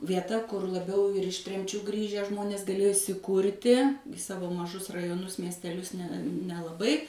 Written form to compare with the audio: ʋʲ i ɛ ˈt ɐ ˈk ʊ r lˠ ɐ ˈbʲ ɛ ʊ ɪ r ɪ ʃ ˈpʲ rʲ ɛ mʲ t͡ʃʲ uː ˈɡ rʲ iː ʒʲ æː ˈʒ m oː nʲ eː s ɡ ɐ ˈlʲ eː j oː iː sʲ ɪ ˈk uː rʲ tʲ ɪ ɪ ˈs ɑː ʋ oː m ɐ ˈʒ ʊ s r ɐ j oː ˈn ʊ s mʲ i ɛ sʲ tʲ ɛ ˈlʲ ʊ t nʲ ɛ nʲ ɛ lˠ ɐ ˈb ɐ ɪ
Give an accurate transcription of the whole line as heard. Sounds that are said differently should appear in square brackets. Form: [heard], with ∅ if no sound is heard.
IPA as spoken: ʋʲ i ɛ ˈt ɐ ˈk ʊ r lˠ ɐ ˈbʲ ɛ ʊ ɪ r ɪ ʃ [ˈtʲ] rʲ ɛ mʲ t͡ʃʲ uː ˈɡ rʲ iː ʒʲ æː ˈʒ m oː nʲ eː s ɡ ɐ ˈlʲ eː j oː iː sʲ ɪ ˈk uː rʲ tʲ ɪ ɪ ˈs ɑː ʋ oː m ɐ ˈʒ ʊ s r ɐ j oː ˈn ʊ s mʲ i ɛ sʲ tʲ ɛ ˈlʲ ʊ [s] nʲ ɛ nʲ ɛ lˠ ɐ ˈb ɐ ɪ